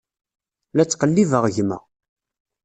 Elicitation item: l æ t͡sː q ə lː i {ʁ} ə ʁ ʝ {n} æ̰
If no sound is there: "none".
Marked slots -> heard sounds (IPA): v, m

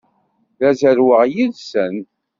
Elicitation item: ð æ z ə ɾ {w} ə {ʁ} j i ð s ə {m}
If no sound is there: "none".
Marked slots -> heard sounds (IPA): w, ʁ, n

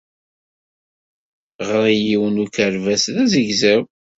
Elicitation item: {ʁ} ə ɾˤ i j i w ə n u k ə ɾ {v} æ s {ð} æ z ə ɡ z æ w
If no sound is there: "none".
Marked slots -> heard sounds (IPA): ʁ, v, ð

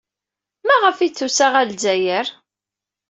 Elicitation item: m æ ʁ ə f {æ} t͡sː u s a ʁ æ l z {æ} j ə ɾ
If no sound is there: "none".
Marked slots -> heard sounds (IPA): i, æ

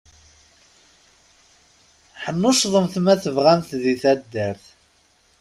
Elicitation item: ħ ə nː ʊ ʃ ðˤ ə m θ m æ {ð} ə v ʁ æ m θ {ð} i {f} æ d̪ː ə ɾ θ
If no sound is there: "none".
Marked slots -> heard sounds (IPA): θ, ð, θ

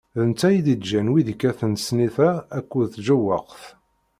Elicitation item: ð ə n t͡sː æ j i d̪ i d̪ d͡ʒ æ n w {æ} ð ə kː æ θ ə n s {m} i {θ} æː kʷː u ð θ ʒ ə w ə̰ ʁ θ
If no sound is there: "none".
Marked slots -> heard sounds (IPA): i, n, θ

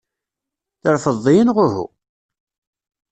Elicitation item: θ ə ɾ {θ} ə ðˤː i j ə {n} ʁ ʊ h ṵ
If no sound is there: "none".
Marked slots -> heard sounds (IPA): f, n

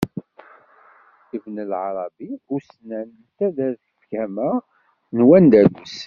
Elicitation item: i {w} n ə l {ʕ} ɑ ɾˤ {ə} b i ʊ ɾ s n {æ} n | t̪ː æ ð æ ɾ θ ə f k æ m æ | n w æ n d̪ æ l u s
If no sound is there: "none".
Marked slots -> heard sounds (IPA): v, ʕ, ɑ, æ

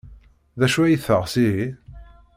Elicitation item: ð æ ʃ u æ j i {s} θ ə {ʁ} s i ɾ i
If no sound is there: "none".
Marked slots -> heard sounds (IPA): none, ʁ

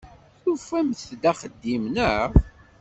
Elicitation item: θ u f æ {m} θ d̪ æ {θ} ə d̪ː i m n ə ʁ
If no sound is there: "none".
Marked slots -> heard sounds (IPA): m, χ

